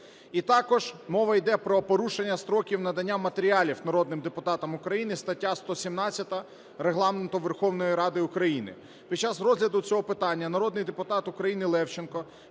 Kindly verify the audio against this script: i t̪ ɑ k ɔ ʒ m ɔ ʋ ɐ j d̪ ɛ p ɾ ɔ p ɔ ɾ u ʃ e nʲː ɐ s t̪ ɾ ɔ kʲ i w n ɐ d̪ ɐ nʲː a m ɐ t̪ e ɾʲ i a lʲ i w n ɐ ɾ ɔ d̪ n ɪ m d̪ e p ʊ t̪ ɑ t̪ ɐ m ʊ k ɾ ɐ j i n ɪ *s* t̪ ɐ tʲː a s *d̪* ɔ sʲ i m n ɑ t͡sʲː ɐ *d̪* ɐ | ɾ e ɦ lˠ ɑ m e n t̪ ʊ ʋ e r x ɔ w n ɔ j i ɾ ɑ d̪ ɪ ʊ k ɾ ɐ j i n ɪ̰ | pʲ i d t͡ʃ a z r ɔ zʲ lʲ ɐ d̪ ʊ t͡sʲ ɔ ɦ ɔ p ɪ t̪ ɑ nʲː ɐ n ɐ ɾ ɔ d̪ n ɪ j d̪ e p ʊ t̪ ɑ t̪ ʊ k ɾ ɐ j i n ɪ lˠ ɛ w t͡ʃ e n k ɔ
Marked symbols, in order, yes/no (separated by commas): yes, no, no